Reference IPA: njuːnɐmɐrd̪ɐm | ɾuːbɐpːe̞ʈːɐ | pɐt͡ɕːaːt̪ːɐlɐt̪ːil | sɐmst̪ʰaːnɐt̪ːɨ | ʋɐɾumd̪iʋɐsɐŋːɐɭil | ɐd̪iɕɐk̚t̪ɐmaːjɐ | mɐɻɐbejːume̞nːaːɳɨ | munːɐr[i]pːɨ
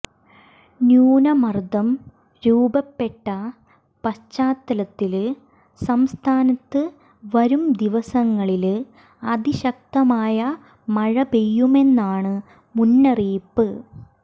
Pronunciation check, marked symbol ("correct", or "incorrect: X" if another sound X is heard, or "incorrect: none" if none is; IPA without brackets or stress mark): incorrect: iː